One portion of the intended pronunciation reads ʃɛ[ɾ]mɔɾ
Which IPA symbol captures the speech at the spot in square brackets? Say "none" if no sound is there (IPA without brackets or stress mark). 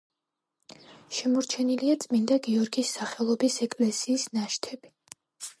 none